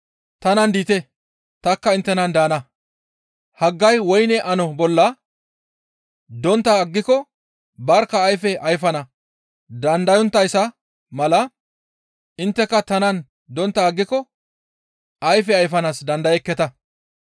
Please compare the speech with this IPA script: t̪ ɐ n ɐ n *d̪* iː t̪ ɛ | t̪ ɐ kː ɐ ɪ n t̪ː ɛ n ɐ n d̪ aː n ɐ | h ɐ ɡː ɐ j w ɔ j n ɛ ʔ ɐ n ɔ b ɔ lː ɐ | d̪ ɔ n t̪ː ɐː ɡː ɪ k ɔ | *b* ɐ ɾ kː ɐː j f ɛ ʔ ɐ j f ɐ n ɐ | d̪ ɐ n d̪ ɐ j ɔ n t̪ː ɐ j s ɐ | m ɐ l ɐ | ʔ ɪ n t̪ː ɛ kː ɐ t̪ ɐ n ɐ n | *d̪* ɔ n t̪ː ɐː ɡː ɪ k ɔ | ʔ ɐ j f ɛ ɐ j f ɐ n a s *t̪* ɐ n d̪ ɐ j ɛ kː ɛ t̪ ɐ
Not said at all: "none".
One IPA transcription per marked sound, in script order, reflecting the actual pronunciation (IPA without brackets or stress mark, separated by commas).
d̪, b, d̪, d̪